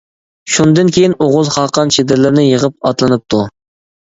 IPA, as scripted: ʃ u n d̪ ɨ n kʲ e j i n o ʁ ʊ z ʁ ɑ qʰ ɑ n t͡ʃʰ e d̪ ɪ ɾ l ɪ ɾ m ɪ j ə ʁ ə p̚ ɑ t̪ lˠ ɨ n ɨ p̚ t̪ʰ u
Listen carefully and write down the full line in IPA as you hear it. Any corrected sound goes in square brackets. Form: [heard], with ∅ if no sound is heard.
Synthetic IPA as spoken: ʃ u n d̪ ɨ n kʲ e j i n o ʁ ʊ z [χ] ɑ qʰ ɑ n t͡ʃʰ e d̪ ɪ ɾ l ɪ ɾ [n] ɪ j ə ʁ ə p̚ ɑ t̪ lˠ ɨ n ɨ p̚ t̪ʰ u